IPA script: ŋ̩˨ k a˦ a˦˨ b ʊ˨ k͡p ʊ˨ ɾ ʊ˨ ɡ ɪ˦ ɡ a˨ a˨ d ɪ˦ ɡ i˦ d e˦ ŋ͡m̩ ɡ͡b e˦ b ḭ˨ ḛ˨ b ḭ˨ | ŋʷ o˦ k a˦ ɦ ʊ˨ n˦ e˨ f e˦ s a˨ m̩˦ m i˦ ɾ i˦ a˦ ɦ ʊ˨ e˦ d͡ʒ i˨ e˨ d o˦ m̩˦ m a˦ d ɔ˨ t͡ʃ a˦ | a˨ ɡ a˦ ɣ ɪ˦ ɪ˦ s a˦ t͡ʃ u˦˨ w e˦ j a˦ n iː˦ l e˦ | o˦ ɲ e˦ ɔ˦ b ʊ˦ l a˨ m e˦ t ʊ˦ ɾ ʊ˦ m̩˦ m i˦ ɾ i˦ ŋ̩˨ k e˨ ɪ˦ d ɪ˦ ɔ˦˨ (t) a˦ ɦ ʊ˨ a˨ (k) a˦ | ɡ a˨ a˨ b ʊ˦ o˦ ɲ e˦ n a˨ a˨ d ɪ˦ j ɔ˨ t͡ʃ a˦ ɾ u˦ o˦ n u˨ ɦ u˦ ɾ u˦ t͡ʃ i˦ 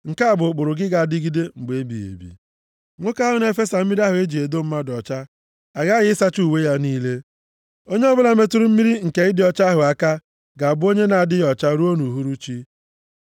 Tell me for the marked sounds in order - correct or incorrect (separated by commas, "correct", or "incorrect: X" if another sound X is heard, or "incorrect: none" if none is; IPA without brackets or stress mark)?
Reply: incorrect: t͡ʃ, correct